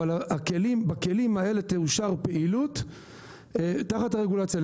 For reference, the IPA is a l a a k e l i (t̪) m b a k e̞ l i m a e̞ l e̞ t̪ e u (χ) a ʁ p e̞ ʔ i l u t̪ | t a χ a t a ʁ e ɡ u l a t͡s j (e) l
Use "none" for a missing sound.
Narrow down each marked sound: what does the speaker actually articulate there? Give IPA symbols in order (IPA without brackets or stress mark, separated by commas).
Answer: none, ʃ, a